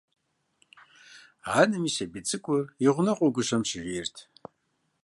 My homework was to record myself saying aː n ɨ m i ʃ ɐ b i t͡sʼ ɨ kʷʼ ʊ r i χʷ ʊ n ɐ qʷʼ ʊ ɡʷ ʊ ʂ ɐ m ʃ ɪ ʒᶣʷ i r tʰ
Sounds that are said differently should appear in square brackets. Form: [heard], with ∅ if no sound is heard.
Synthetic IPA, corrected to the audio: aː n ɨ m i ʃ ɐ b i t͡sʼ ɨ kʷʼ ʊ r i [ʁʷ] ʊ n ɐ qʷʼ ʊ ɡʷ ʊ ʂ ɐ m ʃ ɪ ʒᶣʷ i r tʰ